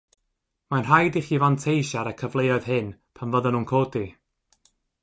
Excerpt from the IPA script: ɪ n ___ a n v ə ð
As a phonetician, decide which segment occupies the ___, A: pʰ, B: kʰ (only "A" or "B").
A